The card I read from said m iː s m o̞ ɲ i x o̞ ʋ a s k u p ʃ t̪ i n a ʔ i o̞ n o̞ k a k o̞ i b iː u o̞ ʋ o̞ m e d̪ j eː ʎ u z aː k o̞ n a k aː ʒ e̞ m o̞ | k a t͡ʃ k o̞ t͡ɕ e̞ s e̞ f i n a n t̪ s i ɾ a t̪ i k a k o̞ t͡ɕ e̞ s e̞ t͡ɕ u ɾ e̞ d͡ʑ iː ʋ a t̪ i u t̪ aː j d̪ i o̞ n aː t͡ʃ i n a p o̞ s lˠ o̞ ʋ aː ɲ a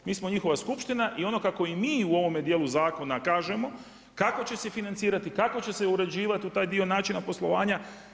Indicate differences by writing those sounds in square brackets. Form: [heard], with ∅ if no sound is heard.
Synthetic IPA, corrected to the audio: m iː s m o̞ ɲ i x o̞ ʋ a s k u p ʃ t̪ i n a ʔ i o̞ n o̞ k a k o̞ i [m] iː u o̞ ʋ o̞ m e d̪ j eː [l] u z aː k o̞ n a k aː ʒ e̞ m o̞ | k a [∅] k o̞ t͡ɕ e̞ s e̞ f i n a n t̪ s [iː] ɾ a t̪ i k a k o̞ t͡ɕ e̞ s e̞ [∅] u ɾ e̞ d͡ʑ iː ʋ a t̪ i u t̪ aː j d̪ i o̞ n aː t͡ʃ i n a p o̞ s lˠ o̞ ʋ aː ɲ a